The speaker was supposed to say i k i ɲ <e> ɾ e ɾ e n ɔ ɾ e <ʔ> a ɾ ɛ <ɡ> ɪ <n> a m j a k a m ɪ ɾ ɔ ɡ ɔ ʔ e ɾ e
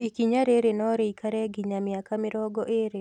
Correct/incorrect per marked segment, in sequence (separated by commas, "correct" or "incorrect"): incorrect, incorrect, correct, incorrect